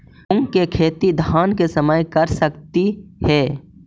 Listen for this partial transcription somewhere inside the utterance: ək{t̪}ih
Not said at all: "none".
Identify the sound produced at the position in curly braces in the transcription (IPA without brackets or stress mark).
t̪